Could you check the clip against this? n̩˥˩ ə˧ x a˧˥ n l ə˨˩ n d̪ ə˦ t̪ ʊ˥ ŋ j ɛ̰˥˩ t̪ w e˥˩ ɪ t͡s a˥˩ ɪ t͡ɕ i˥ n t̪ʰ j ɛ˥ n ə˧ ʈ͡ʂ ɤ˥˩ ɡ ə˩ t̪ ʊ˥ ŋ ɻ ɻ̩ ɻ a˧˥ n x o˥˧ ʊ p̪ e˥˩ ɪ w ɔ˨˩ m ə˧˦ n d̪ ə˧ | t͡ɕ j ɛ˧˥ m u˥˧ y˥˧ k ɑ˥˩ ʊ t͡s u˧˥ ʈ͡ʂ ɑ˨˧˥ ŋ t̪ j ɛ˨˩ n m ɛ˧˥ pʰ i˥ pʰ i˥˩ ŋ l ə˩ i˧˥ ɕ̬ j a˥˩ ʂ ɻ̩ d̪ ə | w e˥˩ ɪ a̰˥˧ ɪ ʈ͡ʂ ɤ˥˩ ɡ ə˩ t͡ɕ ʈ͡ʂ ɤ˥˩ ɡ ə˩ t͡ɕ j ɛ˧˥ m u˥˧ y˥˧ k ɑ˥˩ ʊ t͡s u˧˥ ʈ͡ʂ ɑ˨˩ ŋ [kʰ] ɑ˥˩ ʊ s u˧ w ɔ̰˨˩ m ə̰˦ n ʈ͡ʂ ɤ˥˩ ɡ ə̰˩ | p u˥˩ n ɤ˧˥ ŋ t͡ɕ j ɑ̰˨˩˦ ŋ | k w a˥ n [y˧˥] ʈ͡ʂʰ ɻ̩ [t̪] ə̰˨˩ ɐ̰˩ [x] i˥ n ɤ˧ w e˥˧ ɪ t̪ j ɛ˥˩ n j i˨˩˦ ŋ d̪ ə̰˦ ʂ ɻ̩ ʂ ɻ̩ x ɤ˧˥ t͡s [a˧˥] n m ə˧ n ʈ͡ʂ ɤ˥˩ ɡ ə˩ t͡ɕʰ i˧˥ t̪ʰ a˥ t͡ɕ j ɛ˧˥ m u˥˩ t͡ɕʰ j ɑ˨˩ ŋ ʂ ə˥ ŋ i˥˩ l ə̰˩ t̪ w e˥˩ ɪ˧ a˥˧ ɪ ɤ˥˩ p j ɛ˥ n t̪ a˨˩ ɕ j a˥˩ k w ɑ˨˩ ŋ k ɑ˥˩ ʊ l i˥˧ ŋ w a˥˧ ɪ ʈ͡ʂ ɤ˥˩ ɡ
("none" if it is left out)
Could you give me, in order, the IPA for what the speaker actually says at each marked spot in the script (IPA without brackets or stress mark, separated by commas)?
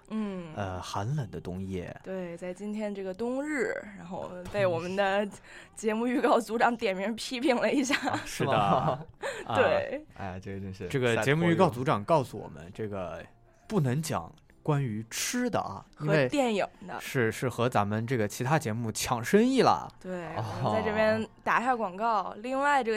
k, y˧˥, d̪, x, a˧˥